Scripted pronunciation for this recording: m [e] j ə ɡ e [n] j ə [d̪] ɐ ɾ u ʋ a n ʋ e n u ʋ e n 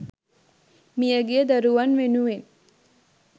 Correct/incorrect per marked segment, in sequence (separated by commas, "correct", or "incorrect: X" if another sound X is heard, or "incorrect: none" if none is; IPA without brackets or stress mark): incorrect: i, incorrect: none, correct